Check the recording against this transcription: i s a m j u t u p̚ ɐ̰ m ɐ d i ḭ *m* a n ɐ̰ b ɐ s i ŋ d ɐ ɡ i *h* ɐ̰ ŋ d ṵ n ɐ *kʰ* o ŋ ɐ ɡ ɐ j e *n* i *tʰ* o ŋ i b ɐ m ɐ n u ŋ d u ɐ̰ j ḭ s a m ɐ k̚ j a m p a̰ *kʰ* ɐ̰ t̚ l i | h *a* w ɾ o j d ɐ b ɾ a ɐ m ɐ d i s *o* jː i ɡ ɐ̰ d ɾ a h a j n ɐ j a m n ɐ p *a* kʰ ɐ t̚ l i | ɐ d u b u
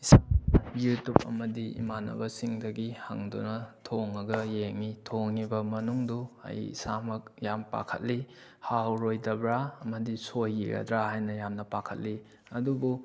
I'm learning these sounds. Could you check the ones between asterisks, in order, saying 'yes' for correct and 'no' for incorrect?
yes, yes, no, no, yes, yes, yes, yes, yes

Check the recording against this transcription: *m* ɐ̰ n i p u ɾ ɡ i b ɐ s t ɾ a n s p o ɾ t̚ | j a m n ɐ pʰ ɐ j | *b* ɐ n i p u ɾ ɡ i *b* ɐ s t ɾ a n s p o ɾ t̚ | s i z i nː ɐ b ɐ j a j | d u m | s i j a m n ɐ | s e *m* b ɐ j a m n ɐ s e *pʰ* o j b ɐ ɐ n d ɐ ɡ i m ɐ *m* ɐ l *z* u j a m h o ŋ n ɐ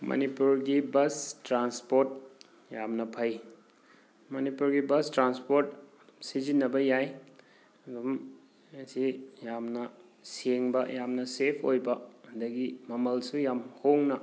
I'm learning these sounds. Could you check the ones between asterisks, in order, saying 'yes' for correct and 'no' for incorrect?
yes, no, yes, no, yes, yes, no

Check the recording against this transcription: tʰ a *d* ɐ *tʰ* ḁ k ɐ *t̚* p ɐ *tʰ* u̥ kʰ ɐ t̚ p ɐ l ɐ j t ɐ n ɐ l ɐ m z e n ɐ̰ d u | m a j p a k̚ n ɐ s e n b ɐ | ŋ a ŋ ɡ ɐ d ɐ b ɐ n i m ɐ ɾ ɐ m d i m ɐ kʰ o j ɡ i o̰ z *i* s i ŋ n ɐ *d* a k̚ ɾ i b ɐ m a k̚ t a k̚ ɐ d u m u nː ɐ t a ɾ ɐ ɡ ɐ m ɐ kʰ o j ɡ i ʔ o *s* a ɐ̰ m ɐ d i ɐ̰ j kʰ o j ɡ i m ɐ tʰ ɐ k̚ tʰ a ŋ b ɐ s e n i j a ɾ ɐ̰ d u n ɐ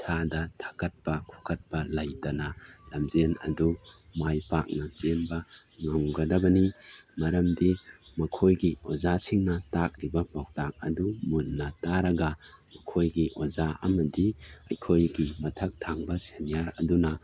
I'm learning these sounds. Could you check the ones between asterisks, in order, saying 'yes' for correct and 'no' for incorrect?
yes, yes, yes, no, no, no, no

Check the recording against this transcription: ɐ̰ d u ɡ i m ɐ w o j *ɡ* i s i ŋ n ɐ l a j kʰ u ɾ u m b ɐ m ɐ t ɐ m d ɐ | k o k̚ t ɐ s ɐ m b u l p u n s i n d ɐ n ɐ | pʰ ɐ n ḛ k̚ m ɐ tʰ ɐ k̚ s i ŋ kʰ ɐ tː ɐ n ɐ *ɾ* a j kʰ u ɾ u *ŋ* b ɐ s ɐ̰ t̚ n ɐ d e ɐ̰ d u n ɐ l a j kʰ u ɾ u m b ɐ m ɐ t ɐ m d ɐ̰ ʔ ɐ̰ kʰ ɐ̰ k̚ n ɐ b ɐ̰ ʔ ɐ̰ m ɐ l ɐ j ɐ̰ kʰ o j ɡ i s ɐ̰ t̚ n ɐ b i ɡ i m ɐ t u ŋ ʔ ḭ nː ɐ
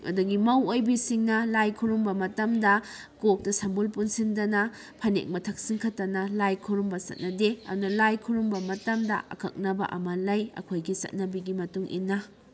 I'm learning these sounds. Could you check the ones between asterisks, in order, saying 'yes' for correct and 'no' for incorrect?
no, no, no

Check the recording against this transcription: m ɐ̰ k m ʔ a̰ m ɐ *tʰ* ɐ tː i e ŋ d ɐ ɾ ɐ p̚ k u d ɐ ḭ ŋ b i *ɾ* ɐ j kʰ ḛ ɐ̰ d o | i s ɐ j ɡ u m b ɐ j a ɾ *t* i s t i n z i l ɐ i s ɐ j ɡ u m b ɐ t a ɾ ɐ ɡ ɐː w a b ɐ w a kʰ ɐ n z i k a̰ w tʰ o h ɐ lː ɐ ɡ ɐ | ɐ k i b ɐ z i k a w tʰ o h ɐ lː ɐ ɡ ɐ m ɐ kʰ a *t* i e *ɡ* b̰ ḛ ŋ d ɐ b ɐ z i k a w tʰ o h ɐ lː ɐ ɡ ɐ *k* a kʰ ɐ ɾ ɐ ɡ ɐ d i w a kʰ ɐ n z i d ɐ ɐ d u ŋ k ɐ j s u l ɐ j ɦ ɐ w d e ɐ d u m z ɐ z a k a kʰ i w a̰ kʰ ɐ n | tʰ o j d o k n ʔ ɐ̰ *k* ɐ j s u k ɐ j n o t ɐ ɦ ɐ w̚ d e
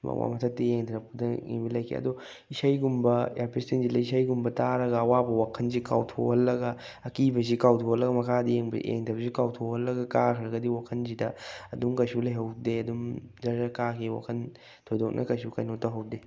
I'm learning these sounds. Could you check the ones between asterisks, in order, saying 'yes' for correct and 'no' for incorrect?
yes, no, no, no, no, yes, yes

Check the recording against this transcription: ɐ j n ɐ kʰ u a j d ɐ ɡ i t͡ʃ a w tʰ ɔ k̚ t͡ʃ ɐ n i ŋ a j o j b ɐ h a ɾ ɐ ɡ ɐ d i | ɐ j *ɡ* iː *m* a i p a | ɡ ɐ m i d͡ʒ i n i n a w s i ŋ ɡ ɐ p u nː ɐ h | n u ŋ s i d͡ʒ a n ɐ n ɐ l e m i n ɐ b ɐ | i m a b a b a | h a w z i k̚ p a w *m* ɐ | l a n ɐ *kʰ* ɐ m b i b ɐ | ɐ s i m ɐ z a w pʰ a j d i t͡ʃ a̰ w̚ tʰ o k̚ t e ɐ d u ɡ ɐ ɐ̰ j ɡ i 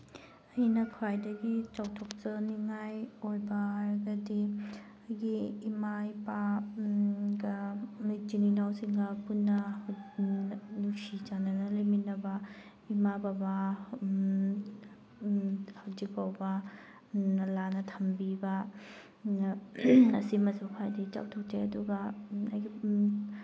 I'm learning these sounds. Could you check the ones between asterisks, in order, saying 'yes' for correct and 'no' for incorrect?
yes, yes, no, no

